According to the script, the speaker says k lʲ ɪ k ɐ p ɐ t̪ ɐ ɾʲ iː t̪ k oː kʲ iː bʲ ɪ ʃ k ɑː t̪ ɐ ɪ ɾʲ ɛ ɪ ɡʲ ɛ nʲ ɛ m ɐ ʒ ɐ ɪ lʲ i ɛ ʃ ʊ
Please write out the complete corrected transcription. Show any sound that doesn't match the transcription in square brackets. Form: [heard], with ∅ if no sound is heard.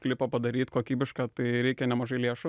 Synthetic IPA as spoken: k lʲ ɪ [p] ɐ p ɐ [d̪] ɐ ɾʲ iː t̪ k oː kʲ iː bʲ ɪ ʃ k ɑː t̪ ɐ ɪ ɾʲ ɛ ɪ [kʲ] ɛ nʲ ɛ m ɐ ʒ ɐ ɪ lʲ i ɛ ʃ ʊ

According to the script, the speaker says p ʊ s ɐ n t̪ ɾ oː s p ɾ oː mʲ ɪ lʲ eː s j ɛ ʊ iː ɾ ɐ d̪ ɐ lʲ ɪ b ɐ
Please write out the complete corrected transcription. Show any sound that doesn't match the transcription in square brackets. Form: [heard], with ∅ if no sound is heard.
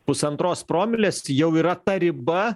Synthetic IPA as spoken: p ʊ s ɐ n t̪ ɾ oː s p ɾ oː mʲ ɪ lʲ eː s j ɛ ʊ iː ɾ ɐ [t̪] ɐ [ɾʲ] ɪ b ɐ

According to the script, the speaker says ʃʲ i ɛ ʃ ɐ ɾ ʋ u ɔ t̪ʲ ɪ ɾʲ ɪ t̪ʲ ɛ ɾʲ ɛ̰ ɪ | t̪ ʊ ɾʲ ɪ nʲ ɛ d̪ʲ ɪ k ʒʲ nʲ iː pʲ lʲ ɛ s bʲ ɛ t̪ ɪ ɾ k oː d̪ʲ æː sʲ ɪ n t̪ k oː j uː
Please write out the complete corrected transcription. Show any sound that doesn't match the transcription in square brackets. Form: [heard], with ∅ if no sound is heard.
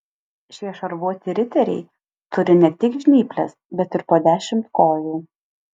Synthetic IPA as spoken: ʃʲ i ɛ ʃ ɐ ɾ ʋ u ɔ t̪ʲ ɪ ɾʲ ɪ t̪ʲ ɛ ɾʲ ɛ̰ ɪ | t̪ ʊ ɾʲ ɪ nʲ ɛ [t̪ʲ] ɪ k ʒʲ nʲ iː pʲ lʲ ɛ s bʲ ɛ t̪ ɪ ɾ [p] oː d̪ʲ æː [ʃʲ] ɪ [m] t̪ k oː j uː

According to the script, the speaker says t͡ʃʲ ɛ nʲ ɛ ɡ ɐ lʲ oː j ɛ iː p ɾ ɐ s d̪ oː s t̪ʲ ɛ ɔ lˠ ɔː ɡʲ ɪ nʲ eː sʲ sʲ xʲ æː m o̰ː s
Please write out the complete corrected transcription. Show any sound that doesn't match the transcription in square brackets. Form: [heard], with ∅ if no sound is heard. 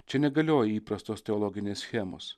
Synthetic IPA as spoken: t͡ʃʲ ɛ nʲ ɛ ɡ ɐ lʲ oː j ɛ iː p ɾ ɐ s [t̪] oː s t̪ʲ ɛ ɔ lˠ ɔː ɡʲ ɪ nʲ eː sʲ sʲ xʲ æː m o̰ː s

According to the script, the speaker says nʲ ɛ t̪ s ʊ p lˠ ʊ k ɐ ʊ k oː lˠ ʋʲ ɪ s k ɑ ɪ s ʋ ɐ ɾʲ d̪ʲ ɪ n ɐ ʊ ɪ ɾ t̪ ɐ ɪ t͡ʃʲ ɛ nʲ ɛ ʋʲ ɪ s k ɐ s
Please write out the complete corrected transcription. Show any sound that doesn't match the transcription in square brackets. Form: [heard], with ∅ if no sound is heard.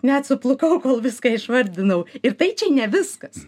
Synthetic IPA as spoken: nʲ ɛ t̪ s ʊ p lˠ ʊ k ɐ ʊ k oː lˠ ʋʲ ɪ s k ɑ ɪ [ʃ] ʋ ɐ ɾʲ d̪ʲ ɪ n ɐ ʊ ɪ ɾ t̪ ɐ ɪ t͡ʃʲ ɛ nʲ ɛ ʋʲ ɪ s k ɐ s

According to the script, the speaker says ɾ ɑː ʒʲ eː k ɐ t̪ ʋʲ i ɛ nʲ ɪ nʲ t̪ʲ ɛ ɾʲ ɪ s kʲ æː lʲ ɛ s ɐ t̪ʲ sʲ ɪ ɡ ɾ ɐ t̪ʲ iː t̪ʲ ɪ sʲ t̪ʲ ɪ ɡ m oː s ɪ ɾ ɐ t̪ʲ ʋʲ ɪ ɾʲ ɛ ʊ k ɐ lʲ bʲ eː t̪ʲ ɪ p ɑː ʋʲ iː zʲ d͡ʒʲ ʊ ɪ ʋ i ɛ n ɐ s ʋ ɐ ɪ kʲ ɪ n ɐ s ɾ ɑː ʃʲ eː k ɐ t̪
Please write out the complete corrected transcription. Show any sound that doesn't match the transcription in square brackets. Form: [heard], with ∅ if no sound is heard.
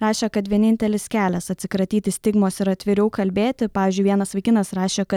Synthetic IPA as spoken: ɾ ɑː [ʃʲ] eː k ɐ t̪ ʋʲ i ɛ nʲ ɪ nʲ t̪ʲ ɛ [lʲ] ɪ s kʲ æː lʲ ɛ s ɐ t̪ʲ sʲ ɪ [k] ɾ ɐ t̪ʲ iː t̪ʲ ɪ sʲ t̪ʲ ɪ ɡ m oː s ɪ ɾ ɐ t̪ʲ ʋʲ ɪ ɾʲ ɛ ʊ k ɐ lʲ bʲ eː t̪ʲ ɪ p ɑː ʋʲ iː zʲ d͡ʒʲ ʊ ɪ ʋ i ɛ n ɐ s ʋ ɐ ɪ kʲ ɪ n ɐ s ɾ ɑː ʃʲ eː k ɐ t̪

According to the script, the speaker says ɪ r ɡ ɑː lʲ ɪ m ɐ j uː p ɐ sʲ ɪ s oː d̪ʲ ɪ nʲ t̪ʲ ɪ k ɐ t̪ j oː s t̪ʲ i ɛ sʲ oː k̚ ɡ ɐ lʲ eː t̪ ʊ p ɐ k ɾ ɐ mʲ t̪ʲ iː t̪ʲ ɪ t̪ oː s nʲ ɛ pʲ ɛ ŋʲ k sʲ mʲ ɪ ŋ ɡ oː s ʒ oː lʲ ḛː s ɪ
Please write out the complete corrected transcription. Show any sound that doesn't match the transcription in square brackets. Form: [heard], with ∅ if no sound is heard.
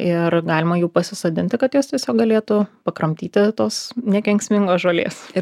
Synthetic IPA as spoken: ɪ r ɡ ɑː lʲ ɪ m ɐ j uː p ɐ sʲ ɪ s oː d̪ʲ ɪ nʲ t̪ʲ ɪ k ɐ t̪ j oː s t̪ʲ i ɛ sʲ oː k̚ ɡ ɐ lʲ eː t̪ ʊ p ɐ k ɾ ɐ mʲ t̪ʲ iː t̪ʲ ɪ t̪ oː s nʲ ɛ [kʲ] ɛ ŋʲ k sʲ mʲ ɪ ŋ ɡ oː s ʒ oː lʲ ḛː s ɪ

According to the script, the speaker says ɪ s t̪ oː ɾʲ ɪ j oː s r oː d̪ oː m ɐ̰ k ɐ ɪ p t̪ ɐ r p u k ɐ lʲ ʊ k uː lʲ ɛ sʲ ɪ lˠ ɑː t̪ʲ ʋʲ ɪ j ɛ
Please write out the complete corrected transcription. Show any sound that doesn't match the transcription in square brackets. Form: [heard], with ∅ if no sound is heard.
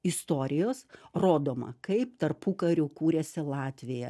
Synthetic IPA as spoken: ɪ s t̪ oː ɾʲ ɪ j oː s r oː d̪ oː m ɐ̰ k ɐ ɪ p t̪ ɐ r p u k ɐ [ɾʲ] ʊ k uː [ɾʲ] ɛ sʲ ɪ lˠ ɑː t̪ʲ ʋʲ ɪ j ɛ

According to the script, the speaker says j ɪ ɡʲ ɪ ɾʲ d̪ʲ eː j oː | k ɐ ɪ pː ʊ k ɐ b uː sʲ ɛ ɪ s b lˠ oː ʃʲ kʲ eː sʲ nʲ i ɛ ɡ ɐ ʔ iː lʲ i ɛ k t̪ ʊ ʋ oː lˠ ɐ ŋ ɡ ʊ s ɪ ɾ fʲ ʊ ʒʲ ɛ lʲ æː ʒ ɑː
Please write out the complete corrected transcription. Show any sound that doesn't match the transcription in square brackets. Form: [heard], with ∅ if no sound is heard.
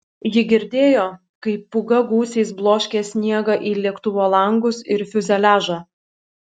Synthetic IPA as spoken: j ɪ ɡʲ ɪ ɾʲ d̪ʲ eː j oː | k ɐ ɪ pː ʊ [ɡ] ɐ [ɡ] uː sʲ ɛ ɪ s b lˠ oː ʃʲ kʲ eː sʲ nʲ i ɛ ɡ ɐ ʔ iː lʲ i ɛ k t̪ ʊ ʋ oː lˠ ɐ ŋ ɡ ʊ s ɪ ɾ fʲ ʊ [zʲ] ɛ lʲ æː ʒ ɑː

